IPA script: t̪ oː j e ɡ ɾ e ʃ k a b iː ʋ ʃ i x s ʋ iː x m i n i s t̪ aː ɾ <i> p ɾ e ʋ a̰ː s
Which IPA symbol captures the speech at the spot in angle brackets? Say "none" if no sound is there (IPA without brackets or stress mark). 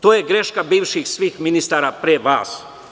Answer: a